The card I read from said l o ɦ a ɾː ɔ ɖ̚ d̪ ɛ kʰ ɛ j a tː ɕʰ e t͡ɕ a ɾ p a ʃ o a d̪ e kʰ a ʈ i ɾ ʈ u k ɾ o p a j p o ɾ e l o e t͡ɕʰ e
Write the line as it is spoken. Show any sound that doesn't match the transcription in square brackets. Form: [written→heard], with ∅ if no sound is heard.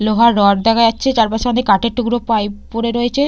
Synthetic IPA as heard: l o ɦ a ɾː ɔ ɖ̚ d̪ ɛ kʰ [ɛ→a] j a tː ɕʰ e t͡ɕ a ɾ p a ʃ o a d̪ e [kʰ→k] a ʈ [i→e] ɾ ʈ u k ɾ o p a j p o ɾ e [l→ɾ] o e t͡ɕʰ e